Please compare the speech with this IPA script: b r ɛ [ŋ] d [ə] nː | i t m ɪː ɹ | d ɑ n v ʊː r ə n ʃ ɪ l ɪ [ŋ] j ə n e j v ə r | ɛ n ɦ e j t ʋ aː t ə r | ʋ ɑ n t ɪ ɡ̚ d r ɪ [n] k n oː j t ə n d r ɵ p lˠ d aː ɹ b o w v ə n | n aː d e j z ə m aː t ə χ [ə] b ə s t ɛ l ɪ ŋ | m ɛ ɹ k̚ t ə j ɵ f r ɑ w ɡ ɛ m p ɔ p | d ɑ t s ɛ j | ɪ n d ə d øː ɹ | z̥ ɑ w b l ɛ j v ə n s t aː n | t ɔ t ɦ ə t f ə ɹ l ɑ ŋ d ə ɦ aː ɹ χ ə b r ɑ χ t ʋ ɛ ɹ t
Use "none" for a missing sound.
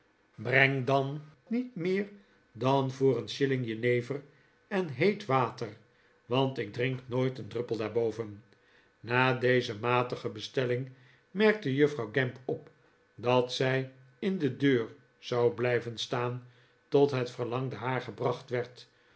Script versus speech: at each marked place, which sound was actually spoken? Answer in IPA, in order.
ŋ, ɑ, ŋ, ŋ, ə

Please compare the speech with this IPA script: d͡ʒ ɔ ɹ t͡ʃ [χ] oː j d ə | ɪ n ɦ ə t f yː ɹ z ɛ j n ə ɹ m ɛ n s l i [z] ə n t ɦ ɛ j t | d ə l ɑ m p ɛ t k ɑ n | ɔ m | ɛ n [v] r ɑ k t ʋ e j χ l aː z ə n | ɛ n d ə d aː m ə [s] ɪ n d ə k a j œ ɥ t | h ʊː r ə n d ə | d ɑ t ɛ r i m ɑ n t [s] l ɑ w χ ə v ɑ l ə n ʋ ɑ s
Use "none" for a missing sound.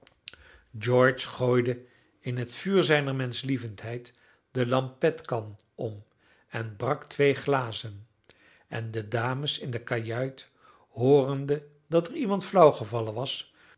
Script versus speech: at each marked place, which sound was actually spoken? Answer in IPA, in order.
χ, v, b, s, f

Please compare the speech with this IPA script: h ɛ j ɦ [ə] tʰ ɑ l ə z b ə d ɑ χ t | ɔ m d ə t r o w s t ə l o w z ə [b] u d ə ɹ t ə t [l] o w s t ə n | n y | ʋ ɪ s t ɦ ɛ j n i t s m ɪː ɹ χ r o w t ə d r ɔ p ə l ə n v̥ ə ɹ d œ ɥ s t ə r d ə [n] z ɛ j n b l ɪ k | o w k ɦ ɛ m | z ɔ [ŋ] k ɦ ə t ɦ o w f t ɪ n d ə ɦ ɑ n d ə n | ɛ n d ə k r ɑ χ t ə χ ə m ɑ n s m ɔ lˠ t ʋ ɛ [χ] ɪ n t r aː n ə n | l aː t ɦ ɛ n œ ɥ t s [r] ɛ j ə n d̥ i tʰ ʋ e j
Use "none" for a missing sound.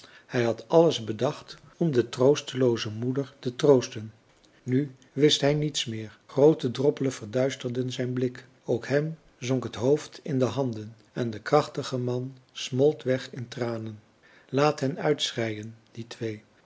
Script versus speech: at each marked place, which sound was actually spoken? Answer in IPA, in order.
ɑ, m, r, n, ŋ, χ, r

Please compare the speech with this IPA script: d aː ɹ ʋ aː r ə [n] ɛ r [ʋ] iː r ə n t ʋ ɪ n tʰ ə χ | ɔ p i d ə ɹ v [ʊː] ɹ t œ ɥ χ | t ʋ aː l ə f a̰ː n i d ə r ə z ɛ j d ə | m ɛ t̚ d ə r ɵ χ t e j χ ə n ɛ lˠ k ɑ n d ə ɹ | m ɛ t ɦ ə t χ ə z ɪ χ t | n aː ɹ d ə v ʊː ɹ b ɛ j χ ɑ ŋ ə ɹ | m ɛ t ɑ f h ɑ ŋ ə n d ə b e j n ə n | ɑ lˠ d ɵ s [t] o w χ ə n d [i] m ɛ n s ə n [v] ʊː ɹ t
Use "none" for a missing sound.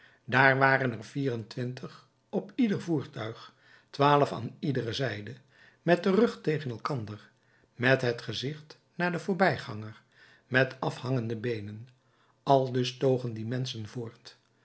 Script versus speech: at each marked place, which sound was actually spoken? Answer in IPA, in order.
n, v, uː, t, i, v

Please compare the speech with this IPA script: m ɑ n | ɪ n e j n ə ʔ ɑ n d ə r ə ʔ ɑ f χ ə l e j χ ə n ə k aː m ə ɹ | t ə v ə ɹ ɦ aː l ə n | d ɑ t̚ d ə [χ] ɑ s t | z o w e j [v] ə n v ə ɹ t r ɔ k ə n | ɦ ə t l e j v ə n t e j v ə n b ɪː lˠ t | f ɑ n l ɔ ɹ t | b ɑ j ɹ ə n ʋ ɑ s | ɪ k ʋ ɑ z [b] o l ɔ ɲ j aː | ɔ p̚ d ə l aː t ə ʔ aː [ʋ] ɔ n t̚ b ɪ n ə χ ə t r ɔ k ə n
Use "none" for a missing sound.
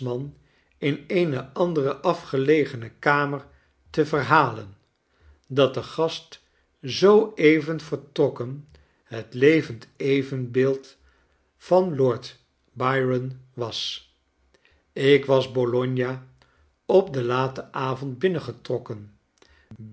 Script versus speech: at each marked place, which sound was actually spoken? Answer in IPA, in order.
χ, v, b, v

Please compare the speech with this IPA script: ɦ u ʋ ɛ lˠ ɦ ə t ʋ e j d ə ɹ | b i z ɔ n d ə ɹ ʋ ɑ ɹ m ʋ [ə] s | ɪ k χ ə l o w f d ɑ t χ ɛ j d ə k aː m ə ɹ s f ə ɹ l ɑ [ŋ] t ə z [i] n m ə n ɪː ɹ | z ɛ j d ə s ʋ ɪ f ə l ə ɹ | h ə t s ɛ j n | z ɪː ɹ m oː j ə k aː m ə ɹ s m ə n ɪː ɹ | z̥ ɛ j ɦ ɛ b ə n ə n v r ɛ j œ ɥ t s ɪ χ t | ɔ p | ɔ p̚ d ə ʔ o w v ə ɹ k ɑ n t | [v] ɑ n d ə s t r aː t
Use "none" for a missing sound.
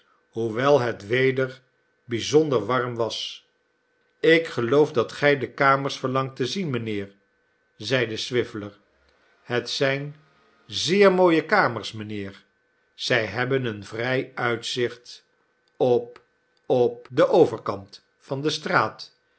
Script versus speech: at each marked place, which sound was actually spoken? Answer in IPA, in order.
ɑ, ŋ, i, f

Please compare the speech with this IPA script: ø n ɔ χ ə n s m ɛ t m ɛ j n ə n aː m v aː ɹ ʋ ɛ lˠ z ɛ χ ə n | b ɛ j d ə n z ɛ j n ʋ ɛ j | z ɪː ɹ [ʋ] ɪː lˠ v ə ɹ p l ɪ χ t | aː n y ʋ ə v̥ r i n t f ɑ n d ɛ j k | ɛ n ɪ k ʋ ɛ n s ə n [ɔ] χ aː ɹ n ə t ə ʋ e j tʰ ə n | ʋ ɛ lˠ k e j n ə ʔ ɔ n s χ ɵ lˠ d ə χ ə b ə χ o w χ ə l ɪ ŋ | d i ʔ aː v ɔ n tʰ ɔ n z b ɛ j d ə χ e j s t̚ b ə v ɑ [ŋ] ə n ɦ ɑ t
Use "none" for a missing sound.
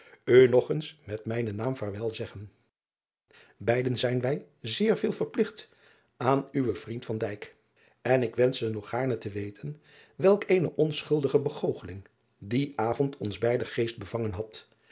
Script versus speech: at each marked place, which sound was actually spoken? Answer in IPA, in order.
v, ɔ, ŋ

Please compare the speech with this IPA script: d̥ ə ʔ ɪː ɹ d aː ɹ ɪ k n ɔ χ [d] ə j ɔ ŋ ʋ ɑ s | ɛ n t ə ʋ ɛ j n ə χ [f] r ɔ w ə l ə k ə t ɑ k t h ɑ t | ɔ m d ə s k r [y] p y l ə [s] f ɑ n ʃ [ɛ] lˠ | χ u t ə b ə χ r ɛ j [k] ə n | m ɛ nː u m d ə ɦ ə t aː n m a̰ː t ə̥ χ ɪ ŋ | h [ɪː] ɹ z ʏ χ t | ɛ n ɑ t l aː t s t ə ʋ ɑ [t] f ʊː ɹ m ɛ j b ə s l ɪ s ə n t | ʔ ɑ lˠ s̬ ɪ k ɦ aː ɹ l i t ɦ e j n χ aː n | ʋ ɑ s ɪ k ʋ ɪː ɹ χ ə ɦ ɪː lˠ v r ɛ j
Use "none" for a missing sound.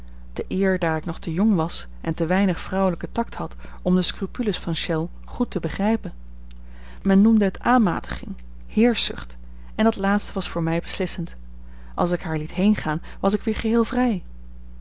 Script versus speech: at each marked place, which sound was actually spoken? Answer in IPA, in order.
t, f, y, s, ɛ, p, ɪː, s

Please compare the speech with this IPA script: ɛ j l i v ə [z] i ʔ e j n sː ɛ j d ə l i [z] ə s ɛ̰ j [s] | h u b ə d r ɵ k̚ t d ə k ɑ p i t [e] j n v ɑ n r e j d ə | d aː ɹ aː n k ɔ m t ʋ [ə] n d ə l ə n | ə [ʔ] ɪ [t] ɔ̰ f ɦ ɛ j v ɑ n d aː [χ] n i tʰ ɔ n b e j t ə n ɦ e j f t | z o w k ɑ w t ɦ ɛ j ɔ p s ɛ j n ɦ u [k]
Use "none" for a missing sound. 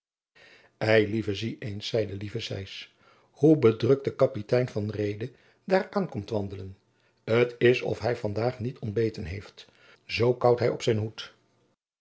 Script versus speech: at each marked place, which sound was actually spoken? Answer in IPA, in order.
z, v, s, ɛ, ɑ, t, s, χ, t

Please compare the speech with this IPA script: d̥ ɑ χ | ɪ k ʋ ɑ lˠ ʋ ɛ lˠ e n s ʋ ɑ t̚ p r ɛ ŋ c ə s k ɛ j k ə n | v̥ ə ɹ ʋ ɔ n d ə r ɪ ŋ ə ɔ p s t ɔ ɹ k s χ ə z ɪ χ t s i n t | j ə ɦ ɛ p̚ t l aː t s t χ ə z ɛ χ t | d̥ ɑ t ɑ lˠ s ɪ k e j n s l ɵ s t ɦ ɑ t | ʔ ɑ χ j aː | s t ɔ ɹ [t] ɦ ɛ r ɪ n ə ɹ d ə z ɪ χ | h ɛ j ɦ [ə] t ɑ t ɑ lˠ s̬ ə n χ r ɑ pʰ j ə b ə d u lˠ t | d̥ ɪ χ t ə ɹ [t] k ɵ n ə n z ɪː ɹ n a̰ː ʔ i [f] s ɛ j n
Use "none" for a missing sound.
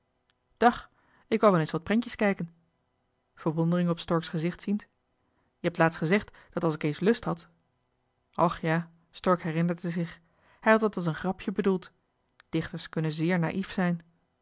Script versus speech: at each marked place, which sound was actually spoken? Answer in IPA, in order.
k, ɑ, s, f

